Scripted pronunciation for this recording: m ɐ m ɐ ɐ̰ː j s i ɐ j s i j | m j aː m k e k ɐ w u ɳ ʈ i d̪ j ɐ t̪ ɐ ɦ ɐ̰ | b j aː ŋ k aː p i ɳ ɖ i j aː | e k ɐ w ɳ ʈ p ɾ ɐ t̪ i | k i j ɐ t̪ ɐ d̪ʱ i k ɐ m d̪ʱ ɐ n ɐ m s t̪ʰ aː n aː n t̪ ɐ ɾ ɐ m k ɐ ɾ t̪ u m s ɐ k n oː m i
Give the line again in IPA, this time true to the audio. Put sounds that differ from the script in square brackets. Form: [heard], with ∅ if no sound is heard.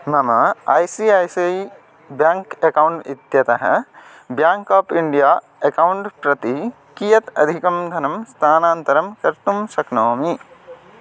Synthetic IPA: m ɐ m ɐ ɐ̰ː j s i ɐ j s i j | [b] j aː [ŋ] k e k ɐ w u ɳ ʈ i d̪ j ɐ t̪ ɐ ɦ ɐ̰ | b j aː ŋ k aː p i ɳ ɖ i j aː | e k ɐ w ɳ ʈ p ɾ ɐ t̪ i | k i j ɐ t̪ ɐ d̪ʱ i k ɐ m d̪ʱ ɐ n ɐ m s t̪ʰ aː n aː n t̪ ɐ ɾ ɐ m k ɐ ɾ t̪ u m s ɐ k n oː m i

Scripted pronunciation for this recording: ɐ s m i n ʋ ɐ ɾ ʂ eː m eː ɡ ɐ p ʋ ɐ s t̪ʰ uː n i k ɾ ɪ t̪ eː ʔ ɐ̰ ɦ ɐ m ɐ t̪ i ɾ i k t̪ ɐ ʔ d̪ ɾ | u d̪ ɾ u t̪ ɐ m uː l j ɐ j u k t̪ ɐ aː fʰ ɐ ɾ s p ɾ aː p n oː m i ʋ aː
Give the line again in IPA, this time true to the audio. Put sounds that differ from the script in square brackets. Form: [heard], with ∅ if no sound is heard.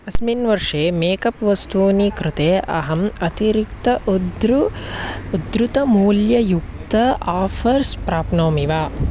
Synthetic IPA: ɐ s m i n ʋ ɐ ɾ ʂ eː m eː [k] ɐ p ʋ ɐ s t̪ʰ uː n i k ɾ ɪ t̪ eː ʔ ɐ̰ ɦ ɐ m ɐ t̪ i ɾ i k t̪ ɐ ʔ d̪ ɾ | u d̪ ɾ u t̪ ɐ m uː l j ɐ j u k t̪ ɐ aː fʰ ɐ ɾ s p ɾ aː p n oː m i ʋ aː

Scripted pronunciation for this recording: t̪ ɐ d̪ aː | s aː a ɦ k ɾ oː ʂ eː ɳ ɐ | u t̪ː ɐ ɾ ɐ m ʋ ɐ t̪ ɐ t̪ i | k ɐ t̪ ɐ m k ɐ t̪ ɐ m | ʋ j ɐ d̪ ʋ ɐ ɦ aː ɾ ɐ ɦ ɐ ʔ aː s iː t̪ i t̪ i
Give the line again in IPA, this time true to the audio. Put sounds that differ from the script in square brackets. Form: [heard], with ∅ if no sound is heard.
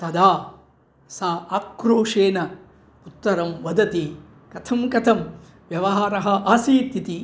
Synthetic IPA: t̪ ɐ d̪ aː | s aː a [∅] k ɾ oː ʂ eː [n] ɐ | u t̪ː ɐ ɾ ɐ m ʋ ɐ [d̪] ɐ t̪ i | k ɐ [t̪ʰ] ɐ m k ɐ [t̪ʰ] ɐ m | ʋ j ɐ [∅] ʋ ɐ ɦ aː ɾ ɐ ɦ ɐ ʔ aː s iː t̪ i t̪ i

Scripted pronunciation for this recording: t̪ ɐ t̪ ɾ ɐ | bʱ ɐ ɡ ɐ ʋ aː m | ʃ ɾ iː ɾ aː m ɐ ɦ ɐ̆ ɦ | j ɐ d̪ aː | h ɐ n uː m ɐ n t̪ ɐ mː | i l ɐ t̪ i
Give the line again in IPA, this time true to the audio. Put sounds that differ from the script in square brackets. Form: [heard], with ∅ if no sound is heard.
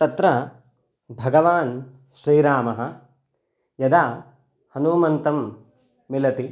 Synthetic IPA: t̪ ɐ t̪ ɾ ɐ | bʱ ɐ ɡ ɐ ʋ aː [n] | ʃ ɾ iː ɾ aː m ɐ ɦ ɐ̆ [∅] | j ɐ d̪ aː | h ɐ n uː m ɐ n t̪ ɐ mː | i l ɐ t̪ i

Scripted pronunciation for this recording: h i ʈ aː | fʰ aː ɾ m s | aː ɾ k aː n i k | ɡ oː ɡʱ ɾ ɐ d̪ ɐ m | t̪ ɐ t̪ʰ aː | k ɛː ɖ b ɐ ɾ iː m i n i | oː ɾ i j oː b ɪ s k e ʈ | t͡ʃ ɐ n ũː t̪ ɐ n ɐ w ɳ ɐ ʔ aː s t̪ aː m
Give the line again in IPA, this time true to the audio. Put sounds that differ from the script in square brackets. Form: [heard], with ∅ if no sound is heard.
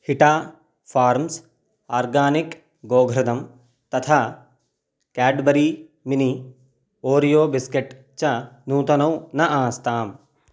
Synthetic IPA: h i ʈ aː | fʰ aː ɾ m s | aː ɾ [ɡ] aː n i k | ɡ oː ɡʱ ɾ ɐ d̪ ɐ m | t̪ ɐ t̪ʰ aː | k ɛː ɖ b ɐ ɾ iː m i n i | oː ɾ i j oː b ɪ s k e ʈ | t͡ʃ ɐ n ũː t̪ ɐ n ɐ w [n] ɐ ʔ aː s t̪ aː m

